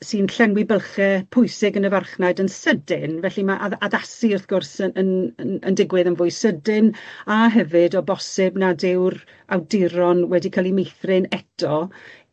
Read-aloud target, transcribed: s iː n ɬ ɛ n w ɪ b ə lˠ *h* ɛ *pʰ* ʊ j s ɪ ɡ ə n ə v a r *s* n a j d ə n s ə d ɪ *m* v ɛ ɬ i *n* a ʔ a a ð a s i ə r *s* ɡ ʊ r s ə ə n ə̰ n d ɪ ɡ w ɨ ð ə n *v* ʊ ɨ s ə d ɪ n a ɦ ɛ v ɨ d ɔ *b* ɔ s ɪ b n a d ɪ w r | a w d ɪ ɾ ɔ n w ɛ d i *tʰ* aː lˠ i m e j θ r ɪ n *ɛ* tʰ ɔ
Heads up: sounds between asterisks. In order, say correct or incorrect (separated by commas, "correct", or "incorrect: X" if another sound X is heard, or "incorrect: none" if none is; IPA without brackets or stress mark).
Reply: incorrect: χ, correct, incorrect: χ, incorrect: n, incorrect: m, incorrect: θ, correct, correct, incorrect: kʰ, correct